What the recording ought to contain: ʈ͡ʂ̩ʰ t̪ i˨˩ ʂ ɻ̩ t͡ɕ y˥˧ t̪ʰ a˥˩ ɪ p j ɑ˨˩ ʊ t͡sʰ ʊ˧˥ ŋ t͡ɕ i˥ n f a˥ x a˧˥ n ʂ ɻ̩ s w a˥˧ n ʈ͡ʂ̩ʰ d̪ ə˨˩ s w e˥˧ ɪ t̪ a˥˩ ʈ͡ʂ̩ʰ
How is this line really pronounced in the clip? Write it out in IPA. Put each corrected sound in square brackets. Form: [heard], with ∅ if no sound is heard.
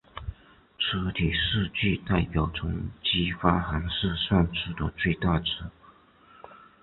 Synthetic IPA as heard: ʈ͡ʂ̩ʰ [t̪ʰ] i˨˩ ʂ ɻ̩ t͡ɕ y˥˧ [t̪] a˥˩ ɪ p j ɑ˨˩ ʊ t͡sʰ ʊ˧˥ ŋ t͡ɕ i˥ [∅] f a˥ x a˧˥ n ʂ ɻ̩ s w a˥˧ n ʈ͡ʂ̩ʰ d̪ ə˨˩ [t͡s] w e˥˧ ɪ t̪ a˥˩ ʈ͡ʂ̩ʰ